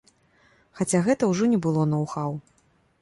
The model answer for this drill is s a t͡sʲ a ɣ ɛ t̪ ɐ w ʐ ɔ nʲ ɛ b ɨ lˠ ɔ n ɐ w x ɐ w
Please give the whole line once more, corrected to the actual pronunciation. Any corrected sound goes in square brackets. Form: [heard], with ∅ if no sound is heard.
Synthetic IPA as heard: [x] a t͡sʲ a ɣ ɛ t̪ ɐ w ʐ ɔ nʲ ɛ b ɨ lˠ ɔ n ɐ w x [a] w